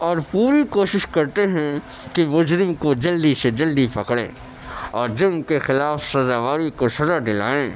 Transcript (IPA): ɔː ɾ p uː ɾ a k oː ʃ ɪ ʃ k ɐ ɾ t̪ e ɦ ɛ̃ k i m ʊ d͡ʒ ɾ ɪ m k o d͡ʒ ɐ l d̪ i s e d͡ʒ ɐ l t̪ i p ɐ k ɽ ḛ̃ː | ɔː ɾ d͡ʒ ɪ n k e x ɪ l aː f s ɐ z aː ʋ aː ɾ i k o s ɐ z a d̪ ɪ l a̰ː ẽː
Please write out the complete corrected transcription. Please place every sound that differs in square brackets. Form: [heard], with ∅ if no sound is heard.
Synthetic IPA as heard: ɔː ɾ p uː ɾ [i] k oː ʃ ɪ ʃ k ɐ ɾ t̪ e ɦ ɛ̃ k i m ʊ d͡ʒ ɾ ɪ m k o d͡ʒ ɐ l d̪ i s e d͡ʒ ɐ l [d̪] i p ɐ k ɽ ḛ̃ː | ɔː ɾ d͡ʒ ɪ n k e x ɪ l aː f s ɐ z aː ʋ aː ɾ i k o s ɐ z a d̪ ɪ l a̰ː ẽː